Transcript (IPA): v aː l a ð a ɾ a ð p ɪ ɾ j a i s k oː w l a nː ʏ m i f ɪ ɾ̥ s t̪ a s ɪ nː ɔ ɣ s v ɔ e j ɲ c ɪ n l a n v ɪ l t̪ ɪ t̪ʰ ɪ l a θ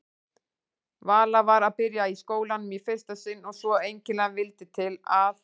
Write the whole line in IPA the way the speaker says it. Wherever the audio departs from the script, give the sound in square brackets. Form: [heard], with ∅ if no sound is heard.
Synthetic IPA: v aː l a [v] a ɾ a ð p ɪ ɾ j a i s k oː w l a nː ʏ m i f ɪ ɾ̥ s t̪ a s ɪ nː ɔ ɣ s v ɔ e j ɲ c ɪ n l a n v ɪ l t̪ ɪ t̪ʰ ɪ l a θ

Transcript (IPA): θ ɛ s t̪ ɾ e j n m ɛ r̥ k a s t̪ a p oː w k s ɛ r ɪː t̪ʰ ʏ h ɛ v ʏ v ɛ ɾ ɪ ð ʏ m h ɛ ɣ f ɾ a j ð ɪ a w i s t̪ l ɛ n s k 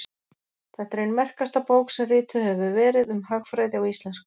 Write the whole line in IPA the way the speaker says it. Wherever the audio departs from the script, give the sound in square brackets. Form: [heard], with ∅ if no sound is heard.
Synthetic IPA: θ ɛ [h] t̪ ɾ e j n m ɛ r̥ k a s t̪ a p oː w k s ɛ r ɪː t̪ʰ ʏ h ɛ v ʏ v [ɛː] ɾ ɪ ð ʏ m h [a] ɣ f ɾ a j ð ɪ a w i s t̪ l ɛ n s k

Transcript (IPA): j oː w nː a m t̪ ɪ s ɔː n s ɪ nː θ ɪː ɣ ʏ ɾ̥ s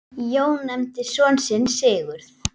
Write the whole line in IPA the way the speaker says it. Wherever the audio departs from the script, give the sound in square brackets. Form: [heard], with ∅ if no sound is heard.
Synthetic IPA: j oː w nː [ɛ] m t̪ ɪ s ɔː n s ɪ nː [s] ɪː ɣ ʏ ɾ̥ [θ]

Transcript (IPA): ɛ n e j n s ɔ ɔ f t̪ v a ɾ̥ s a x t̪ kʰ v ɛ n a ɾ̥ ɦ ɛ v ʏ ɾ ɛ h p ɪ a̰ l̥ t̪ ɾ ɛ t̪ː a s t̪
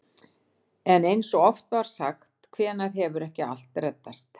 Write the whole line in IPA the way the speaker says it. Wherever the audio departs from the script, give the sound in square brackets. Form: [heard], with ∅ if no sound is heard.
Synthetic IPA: ɛ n e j n s ɔ ɔ f t̪ v a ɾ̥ s a x t̪ kʰ v [ɛː] n a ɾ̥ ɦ ɛ v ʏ ɾ ɛ h [c] ɪ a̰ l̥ t̪ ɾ ɛ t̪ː a s t̪

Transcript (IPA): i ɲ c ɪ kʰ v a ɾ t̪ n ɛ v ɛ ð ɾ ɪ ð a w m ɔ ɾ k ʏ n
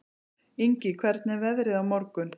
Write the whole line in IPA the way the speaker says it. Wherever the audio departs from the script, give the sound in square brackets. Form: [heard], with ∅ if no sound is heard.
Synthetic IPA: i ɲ c ɪ kʰ v [ɛ] ɾ t̪ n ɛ v ɛ ð ɾ ɪ ð a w m ɔ ɾ k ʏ n

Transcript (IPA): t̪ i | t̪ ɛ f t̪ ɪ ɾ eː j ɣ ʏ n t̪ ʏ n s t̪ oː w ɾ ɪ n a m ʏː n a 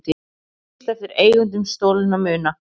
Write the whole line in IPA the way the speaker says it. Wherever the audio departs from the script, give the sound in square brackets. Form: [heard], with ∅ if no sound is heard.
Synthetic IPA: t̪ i | t̪ ɛ f t̪ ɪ ɾ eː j ɣ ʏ n t̪ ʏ [m] s t̪ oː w [l] ɪ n a m ʏː n a

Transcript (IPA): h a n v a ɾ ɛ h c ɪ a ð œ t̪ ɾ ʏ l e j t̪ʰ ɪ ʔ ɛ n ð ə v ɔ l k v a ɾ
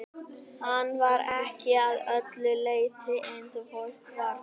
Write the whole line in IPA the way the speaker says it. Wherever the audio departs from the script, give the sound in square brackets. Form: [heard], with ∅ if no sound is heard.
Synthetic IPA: h a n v a ɾ ɛ h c ɪ a ð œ t̪ [l] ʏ l e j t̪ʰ ɪ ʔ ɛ n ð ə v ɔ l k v a ɾ

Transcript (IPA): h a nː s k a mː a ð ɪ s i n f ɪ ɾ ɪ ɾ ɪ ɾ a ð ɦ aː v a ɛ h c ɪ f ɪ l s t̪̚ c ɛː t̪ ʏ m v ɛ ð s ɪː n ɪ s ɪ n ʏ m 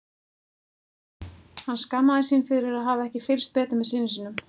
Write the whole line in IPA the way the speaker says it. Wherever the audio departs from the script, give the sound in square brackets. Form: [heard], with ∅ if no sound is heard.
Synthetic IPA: h a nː s k a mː a ð ɪ s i n f ɪ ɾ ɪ ɾ ɪ ɾ a ð ɦ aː v a ɛ h c ɪ f ɪ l s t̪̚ [p] ɛː t̪ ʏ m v ɛ ð s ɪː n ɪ s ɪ n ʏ m

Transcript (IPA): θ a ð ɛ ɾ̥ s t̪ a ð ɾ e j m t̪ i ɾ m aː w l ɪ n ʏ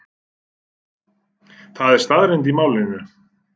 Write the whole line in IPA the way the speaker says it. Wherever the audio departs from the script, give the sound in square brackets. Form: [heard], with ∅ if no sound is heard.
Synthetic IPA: θ a ð ɛ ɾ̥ s t̪ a ð ɾ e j [n] t̪ i [∅] m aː w l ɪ n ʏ

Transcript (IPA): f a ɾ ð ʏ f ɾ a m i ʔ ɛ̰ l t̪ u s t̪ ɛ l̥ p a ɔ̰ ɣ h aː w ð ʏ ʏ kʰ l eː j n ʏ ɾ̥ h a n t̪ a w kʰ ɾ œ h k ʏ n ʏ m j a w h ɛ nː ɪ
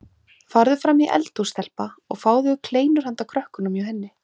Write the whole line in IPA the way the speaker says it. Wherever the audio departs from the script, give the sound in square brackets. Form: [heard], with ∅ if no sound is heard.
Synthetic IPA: f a ɾ ð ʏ f ɾ a m i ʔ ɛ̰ l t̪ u s t̪ ɛ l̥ p a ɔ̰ ɣ [f] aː w ð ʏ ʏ kʰ l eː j n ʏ ɾ̥ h a n t̪ a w kʰ ɾ œ h k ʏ n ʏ m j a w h ɛ nː ɪ

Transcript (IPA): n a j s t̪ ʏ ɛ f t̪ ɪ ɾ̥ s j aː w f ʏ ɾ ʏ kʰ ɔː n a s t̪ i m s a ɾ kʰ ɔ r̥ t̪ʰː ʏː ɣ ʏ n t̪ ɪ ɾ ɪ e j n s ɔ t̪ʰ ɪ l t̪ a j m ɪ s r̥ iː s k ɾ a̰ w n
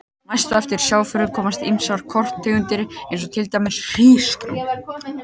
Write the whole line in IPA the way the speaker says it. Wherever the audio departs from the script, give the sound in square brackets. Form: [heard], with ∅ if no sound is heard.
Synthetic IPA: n a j s t̪ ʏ ɛ f t̪ ɪ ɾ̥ s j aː w f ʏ ɾ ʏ kʰ ɔː [m] a s t̪ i m s a ɾ kʰ ɔ r̥ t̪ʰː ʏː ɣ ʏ n t̪ ɪ ɾ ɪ e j n s ɔ t̪ʰ ɪ l t̪ a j m ɪ s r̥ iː s k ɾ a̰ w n

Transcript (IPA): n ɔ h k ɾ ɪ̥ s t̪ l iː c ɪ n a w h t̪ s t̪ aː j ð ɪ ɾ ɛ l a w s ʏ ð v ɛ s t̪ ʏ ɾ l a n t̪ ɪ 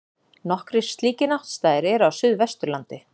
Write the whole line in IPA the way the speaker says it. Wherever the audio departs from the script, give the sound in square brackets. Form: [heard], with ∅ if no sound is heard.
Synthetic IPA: n ɔ h k ɾ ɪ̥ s t̪ l iː c ɪ n a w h t̪ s t̪ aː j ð ɪ ɾ ɛ [ɾ] a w s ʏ ð v ɛ s t̪ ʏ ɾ l a n t̪ ɪ

